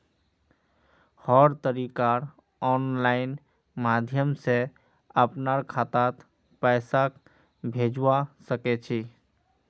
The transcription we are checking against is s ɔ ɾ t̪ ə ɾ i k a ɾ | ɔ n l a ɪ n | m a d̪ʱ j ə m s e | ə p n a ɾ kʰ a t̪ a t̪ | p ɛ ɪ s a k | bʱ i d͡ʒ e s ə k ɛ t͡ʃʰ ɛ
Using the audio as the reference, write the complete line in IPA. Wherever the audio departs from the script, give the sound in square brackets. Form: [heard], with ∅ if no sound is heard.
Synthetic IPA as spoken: [h] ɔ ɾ t̪ ə ɾ i k a ɾ | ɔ n l a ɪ n | m a d̪ʱ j ə m s e | ə p n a ɾ kʰ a t̪ a t̪ | p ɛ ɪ s a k | bʱ [e] d͡ʒ [a] s ə k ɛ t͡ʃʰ [i]